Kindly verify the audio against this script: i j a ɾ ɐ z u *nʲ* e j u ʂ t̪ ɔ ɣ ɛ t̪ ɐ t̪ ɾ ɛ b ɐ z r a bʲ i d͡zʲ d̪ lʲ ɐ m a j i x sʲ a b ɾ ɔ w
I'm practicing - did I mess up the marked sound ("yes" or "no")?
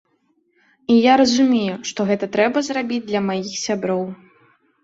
yes